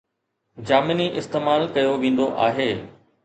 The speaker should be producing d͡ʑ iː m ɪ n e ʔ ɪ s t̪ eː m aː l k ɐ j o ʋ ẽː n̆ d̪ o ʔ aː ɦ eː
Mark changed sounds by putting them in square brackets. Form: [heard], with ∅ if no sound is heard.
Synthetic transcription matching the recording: d͡ʑ [aː] m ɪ n [i] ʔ ɪ s t̪ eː m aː l k ɐ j o ʋ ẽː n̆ d̪ o ʔ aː ɦ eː